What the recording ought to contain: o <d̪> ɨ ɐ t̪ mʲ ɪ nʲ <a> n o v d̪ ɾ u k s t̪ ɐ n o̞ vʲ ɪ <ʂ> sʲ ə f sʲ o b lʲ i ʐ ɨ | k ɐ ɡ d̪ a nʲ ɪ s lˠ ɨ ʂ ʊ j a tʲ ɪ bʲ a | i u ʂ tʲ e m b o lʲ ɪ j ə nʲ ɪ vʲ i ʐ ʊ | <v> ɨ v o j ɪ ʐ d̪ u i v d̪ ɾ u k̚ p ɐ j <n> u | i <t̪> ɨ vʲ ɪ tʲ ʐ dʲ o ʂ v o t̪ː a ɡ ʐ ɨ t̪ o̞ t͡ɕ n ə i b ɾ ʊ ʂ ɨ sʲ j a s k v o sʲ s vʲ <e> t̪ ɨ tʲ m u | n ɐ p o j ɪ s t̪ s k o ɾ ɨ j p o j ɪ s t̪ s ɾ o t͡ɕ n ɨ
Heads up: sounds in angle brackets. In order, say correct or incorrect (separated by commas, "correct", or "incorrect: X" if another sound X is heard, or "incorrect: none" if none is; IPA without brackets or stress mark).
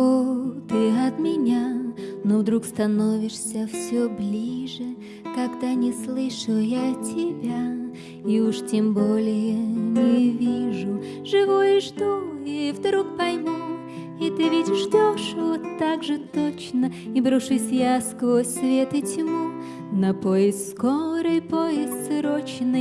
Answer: incorrect: t̪, correct, correct, incorrect: ʐ, incorrect: m, correct, correct